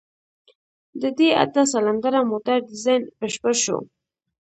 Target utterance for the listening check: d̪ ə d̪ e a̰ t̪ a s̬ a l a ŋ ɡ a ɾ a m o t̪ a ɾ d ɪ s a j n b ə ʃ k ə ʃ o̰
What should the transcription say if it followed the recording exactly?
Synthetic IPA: d̪ ə d̪ e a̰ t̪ a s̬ a l a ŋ ɡ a ɾ a m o t̪ a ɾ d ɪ z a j n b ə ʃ p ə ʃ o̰